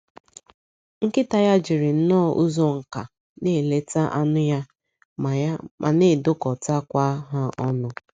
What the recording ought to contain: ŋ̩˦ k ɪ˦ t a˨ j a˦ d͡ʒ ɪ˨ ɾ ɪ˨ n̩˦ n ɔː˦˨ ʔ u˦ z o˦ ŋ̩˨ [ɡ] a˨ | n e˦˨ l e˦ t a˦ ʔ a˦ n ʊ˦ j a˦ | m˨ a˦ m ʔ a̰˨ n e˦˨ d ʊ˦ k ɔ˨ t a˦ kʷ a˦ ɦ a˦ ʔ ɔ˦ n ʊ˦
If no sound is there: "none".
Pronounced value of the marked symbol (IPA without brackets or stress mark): k